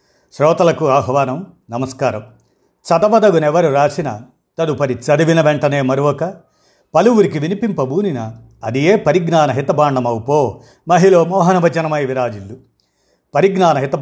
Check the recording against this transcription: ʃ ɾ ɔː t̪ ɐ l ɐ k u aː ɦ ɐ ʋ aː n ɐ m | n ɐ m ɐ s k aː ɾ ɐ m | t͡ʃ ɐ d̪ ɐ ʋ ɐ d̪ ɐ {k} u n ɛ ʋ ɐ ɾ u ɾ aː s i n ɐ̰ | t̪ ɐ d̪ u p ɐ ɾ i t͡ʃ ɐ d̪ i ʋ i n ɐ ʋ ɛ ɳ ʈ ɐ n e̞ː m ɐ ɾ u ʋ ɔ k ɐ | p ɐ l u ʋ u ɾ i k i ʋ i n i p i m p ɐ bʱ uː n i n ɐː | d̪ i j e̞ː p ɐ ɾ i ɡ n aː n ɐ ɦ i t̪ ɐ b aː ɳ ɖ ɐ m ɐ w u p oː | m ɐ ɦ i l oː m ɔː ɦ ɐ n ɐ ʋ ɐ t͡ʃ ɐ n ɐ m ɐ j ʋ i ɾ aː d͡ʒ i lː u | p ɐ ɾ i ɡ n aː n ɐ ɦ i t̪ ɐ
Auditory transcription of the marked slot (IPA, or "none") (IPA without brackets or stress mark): ɡ